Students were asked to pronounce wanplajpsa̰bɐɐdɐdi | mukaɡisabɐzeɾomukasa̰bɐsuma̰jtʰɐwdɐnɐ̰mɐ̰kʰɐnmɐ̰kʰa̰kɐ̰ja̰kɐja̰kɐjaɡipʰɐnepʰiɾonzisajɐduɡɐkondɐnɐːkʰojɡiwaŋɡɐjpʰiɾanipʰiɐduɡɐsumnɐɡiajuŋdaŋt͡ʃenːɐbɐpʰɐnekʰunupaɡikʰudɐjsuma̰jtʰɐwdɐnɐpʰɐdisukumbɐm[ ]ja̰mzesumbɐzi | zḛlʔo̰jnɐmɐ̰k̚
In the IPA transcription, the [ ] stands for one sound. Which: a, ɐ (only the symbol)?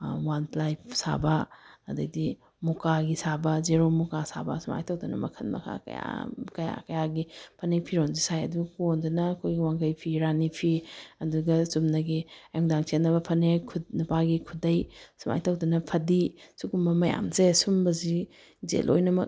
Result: ɐ